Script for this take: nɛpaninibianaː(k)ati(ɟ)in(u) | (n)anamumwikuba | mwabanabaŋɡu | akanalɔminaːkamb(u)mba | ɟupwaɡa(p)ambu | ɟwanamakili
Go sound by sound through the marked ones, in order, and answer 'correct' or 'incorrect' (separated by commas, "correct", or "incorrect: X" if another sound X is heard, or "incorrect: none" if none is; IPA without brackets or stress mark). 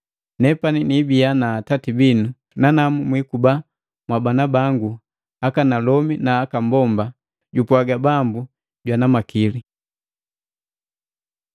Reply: incorrect: t, incorrect: b, correct, correct, incorrect: ɔ, incorrect: b